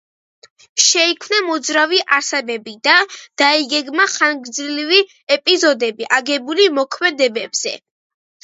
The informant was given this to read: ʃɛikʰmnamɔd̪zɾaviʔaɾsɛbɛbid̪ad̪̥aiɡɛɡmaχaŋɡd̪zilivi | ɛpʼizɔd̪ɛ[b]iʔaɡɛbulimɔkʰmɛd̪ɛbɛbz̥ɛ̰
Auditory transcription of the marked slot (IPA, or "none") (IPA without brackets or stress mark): b